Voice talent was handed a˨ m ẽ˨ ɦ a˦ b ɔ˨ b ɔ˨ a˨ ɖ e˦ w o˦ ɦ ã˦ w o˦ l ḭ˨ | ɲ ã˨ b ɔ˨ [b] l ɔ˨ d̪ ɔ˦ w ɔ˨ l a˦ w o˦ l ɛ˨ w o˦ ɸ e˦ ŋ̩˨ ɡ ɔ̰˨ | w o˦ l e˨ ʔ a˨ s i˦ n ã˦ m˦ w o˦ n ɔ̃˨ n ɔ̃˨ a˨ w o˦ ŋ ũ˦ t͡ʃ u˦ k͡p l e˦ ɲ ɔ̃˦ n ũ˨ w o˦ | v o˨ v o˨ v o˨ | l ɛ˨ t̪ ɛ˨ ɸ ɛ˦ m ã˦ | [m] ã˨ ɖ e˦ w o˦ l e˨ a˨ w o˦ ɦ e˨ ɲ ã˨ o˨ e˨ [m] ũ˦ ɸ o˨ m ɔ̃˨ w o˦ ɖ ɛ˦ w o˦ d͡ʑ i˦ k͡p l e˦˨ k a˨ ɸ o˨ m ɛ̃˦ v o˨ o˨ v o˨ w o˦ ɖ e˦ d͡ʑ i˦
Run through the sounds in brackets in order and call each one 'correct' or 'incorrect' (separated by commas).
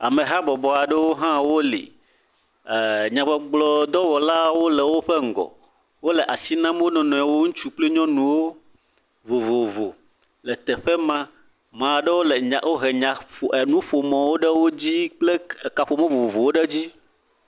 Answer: incorrect, correct, incorrect